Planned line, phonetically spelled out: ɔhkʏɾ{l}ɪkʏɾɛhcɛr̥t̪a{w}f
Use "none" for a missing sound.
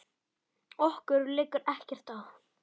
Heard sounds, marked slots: l, w

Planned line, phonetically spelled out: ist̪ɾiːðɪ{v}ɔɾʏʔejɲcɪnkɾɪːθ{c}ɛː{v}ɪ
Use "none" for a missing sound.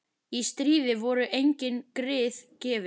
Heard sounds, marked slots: v, c, v

